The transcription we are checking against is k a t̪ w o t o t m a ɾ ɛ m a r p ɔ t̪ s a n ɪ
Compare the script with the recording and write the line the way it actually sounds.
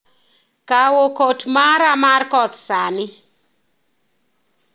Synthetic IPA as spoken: k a w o k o t m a ɾ a m a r k ɔ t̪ s a n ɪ